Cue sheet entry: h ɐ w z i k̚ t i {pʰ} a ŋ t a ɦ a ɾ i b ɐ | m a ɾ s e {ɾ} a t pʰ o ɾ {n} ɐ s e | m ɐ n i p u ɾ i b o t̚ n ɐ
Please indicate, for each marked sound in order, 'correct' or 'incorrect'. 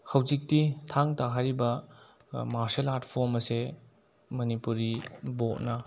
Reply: incorrect: tʰ, incorrect: l, incorrect: m

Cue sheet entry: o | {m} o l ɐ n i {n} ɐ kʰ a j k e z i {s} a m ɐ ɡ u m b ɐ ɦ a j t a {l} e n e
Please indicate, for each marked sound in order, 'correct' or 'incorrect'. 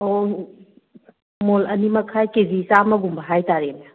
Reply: correct, incorrect: m, correct, incorrect: ɾ

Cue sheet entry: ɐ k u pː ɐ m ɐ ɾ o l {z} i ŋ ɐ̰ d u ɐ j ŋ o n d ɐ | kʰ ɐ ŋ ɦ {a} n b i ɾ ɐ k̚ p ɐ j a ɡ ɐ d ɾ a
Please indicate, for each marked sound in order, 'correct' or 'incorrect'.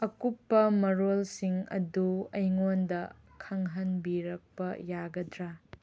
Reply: incorrect: s, incorrect: ɐ

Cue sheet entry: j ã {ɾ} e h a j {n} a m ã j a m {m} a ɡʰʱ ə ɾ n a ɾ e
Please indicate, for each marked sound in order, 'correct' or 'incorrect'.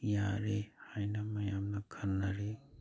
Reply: correct, correct, incorrect: n

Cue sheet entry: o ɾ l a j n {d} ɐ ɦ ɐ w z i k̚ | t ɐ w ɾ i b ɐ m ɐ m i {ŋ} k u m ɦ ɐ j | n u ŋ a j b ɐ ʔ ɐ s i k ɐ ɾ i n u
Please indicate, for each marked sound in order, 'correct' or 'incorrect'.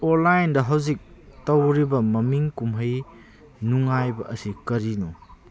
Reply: correct, correct

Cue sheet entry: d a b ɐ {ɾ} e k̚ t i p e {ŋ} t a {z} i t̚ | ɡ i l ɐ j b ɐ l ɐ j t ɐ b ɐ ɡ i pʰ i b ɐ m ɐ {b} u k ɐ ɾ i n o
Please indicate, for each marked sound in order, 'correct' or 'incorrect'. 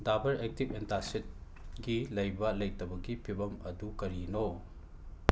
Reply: correct, incorrect: n, incorrect: s, incorrect: d

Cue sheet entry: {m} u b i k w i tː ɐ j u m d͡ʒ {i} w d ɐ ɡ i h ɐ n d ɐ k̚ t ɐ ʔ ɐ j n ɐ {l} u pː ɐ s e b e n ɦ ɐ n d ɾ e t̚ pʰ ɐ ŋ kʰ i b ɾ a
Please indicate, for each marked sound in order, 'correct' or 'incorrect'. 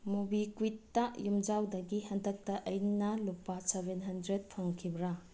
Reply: correct, incorrect: a, correct

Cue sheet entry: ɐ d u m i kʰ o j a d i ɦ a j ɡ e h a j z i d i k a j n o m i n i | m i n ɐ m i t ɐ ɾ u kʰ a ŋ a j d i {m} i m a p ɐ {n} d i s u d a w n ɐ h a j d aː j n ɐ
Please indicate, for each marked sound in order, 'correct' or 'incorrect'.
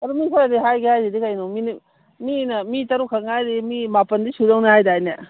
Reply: correct, correct

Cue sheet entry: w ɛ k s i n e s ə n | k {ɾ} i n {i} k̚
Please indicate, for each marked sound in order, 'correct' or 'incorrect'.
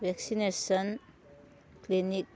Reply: incorrect: l, correct

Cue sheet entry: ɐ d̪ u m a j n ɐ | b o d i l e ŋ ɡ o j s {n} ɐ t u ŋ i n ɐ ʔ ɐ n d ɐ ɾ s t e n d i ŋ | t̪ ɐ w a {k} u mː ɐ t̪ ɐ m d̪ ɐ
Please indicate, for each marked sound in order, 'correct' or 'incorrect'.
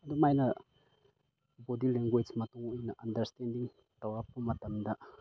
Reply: incorrect: m, incorrect: p

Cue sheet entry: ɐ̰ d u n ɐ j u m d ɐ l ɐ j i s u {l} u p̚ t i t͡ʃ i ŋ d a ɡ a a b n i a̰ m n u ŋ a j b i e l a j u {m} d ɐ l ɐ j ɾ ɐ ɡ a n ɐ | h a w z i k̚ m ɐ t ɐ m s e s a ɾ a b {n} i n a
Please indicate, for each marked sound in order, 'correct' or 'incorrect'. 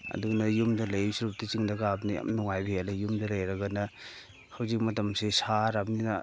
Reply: incorrect: ɾ, correct, correct

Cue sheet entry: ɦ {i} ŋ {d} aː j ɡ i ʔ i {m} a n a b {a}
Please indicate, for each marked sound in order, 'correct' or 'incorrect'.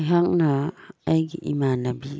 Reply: incorrect: a, incorrect: n, correct, incorrect: i

